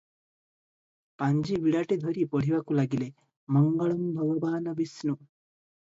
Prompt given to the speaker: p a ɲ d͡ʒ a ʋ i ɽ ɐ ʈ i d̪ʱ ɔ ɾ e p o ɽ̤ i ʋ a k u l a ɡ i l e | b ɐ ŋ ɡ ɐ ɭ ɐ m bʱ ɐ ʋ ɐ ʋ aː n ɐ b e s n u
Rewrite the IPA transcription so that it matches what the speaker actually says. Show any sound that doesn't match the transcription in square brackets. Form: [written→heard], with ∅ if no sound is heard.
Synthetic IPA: p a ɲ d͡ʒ [a→i] ʋ i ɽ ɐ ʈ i d̪ʱ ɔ ɾ [e→i] p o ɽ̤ i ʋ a k u l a ɡ i l e | [b→m] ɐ ŋ ɡ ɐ ɭ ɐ m bʱ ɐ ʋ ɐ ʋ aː n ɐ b [e→i] s n u

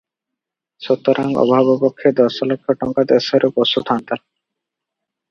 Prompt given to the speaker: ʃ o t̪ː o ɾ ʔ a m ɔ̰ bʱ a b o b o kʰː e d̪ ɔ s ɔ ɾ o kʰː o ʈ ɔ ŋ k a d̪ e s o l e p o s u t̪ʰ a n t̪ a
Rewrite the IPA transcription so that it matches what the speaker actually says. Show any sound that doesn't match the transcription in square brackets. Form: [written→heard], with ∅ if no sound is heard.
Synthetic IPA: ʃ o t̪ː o ɾ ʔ a [m→ŋ] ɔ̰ bʱ a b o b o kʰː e d̪ ɔ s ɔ [ɾ→l] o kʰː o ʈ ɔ ŋ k a d̪ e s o [l→ɾ] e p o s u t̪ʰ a n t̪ a

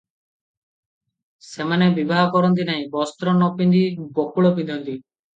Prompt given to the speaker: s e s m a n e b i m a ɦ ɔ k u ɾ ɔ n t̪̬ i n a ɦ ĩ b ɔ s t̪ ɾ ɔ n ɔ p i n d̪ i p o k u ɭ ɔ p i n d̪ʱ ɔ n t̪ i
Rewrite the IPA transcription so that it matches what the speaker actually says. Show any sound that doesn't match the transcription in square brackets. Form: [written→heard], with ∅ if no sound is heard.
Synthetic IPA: s e [s→∅] m a n e b i [m→b] a ɦ ɔ k [u→ɔ] ɾ ɔ n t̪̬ i n a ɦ ĩ b ɔ s t̪ ɾ ɔ n ɔ p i n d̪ i [p→b] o k u ɭ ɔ p i n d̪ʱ ɔ n t̪ i

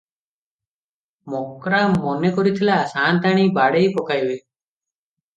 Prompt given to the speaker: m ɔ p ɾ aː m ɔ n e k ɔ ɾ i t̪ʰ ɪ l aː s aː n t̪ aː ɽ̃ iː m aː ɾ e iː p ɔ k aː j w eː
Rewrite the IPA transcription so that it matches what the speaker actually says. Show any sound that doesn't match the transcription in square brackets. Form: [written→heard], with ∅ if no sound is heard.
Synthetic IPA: m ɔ [p→k] ɾ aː m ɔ n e k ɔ ɾ i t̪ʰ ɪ l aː s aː n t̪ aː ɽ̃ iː [m→b] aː [ɾ→ɽ] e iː p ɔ k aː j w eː

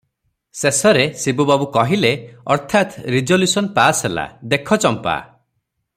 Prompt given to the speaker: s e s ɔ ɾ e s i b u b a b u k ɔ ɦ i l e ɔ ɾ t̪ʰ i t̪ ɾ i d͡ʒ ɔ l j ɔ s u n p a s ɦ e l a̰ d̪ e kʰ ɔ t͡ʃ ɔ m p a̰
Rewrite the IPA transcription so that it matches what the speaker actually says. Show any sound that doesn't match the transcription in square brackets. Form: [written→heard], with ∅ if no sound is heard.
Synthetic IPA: s e s ɔ ɾ e s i b u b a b u k ɔ ɦ i l e ɔ ɾ t̪ʰ [i→a] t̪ ɾ i d͡ʒ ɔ l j [ɔ→u] s [u→ɔ] n p a s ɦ e l a̰ d̪ e kʰ ɔ t͡ʃ ɔ m p a̰

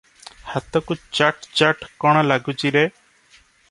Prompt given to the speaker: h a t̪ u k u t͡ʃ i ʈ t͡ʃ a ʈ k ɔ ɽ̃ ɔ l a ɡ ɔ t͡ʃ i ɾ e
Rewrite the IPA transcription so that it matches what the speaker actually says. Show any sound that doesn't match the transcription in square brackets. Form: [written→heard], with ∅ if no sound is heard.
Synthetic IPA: h a t̪ [u→ɔ] k u t͡ʃ [i→a] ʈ t͡ʃ a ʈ k ɔ ɽ̃ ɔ l a ɡ [ɔ→u] t͡ʃ i ɾ e

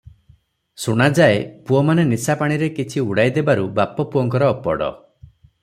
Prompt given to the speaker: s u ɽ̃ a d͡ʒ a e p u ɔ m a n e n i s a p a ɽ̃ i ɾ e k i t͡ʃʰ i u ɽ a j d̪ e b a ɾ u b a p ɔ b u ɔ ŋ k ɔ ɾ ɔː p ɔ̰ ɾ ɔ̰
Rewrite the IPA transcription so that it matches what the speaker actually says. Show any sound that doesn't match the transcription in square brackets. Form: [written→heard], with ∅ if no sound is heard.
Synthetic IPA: s u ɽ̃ a d͡ʒ a e p u ɔ m a n e n i s a p a ɽ̃ i ɾ e k i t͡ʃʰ i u ɽ a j d̪ e b a ɾ u b a p ɔ [b→p] u ɔ ŋ k ɔ ɾ ɔː p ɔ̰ [ɾ→ɽ] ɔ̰

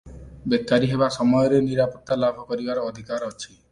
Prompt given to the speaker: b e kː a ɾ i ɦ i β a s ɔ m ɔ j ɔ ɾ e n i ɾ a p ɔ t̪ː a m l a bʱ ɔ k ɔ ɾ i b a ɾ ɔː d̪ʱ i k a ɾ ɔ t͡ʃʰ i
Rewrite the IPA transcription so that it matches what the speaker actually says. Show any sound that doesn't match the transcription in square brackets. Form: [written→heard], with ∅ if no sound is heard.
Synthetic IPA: b e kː a ɾ i ɦ [i→e] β a s ɔ m ɔ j ɔ ɾ e n i ɾ a p ɔ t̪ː a [m→∅] l a bʱ ɔ k ɔ ɾ i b a ɾ ɔː d̪ʱ i k a ɾ ɔ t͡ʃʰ i

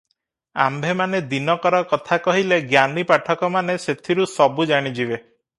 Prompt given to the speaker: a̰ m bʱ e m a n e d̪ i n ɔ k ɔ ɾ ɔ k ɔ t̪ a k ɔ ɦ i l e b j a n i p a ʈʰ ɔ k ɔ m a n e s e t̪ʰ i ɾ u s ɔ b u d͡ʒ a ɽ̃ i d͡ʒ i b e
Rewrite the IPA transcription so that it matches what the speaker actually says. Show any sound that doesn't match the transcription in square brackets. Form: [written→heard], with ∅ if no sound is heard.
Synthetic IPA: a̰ m bʱ e m a n e d̪ i n ɔ k ɔ ɾ ɔ k ɔ [t̪→t̪ʰ] a k ɔ ɦ i l e [b→ɡ] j a n i p a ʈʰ ɔ k ɔ m a n e s e t̪ʰ i ɾ u s ɔ b u d͡ʒ a ɽ̃ i d͡ʒ i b e

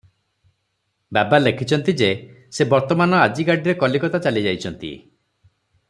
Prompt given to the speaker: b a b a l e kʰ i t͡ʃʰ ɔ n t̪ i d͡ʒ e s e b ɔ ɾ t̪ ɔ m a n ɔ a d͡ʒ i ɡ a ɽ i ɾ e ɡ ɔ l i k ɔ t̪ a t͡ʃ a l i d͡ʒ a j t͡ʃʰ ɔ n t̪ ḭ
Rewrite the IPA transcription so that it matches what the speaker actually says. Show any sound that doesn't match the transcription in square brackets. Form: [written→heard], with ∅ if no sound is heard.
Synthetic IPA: b a b a l e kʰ i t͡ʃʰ ɔ n t̪ i d͡ʒ e s e b ɔ ɾ t̪ ɔ m a n ɔ a d͡ʒ i ɡ a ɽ i ɾ e [ɡ→k] ɔ l i k ɔ t̪ a t͡ʃ a l i d͡ʒ a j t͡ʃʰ ɔ n t̪ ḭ

